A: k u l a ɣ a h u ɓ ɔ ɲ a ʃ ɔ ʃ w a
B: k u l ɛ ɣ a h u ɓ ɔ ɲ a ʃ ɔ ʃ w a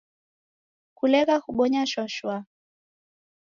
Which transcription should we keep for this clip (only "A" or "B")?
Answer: B